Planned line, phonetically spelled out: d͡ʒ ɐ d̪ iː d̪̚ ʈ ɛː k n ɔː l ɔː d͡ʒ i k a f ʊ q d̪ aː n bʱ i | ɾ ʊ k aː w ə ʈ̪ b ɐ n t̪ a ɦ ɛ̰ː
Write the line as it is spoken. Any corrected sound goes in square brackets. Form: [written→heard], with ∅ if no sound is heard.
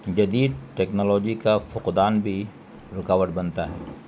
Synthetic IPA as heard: d͡ʒ ɐ d̪ iː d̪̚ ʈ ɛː k n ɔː l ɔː d͡ʒ i k a f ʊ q d̪ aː n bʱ i | ɾ ʊ k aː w ə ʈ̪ b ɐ n t̪ a ɦ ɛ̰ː